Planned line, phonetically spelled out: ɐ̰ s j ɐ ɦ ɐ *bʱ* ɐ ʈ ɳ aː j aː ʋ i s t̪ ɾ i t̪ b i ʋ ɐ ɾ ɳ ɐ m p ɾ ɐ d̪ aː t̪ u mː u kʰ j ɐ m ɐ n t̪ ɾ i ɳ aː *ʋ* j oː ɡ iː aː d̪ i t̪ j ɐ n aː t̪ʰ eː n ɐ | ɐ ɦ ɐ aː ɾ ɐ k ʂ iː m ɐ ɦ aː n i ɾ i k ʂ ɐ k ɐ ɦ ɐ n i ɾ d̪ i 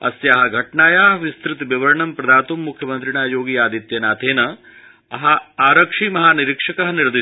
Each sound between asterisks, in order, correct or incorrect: incorrect: ɡʱ, incorrect: none

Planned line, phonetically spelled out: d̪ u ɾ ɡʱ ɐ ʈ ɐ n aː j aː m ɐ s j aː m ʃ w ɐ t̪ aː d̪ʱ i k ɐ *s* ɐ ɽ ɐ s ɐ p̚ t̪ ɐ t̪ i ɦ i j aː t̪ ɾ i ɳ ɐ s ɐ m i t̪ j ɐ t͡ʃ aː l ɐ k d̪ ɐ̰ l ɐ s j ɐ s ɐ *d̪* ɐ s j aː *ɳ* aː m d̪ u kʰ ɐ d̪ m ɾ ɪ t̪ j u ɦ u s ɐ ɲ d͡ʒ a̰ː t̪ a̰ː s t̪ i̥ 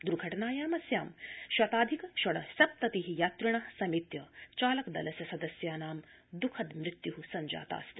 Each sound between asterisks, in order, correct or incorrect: incorrect: ʃ, correct, incorrect: n

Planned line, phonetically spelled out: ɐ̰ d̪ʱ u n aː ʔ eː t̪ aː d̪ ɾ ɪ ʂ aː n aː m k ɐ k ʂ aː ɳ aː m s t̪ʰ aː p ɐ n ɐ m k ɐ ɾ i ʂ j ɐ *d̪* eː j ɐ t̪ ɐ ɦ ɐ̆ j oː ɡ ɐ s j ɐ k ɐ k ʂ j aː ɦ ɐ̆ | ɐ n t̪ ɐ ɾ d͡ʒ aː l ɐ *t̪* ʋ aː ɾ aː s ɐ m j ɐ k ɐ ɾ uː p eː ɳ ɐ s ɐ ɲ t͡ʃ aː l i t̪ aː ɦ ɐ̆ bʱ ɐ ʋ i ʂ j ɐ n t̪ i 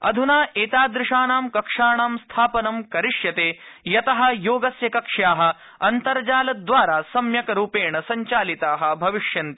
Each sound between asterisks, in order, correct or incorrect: incorrect: t̪, incorrect: d̪

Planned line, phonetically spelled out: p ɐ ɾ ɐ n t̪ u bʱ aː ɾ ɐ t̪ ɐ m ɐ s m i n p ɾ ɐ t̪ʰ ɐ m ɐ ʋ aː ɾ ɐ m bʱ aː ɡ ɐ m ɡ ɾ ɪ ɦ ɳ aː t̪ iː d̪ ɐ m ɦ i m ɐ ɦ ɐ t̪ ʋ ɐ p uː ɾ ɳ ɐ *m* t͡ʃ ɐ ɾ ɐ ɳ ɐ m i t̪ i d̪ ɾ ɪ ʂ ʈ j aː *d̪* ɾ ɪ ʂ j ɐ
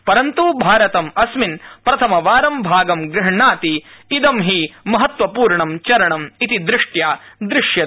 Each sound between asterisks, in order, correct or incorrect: correct, correct

